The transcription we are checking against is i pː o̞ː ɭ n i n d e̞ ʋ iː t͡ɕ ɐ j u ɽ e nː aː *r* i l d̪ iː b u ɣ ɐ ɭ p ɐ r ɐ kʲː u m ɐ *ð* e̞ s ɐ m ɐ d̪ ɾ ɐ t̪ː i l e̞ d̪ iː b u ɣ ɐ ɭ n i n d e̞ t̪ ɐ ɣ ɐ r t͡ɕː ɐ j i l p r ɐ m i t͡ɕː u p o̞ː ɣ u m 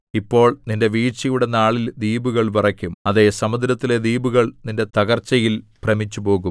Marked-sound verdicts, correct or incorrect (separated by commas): incorrect, correct